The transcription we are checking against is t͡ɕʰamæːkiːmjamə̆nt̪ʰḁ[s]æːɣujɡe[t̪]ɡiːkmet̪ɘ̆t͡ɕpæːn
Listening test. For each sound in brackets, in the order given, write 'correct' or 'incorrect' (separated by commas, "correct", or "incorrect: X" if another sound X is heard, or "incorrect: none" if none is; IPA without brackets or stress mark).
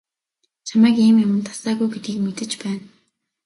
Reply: correct, correct